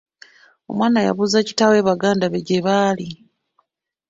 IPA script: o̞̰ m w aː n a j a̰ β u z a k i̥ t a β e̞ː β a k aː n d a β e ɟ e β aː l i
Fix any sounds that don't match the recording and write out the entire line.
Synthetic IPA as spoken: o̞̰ m w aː n a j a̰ β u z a c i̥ t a w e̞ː β a ɡ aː n d a β e ɟ e β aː l i